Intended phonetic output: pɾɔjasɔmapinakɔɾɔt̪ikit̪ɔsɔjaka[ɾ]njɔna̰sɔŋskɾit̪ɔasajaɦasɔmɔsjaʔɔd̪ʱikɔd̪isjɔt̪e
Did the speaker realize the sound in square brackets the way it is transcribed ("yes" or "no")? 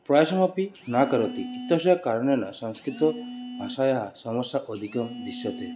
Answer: yes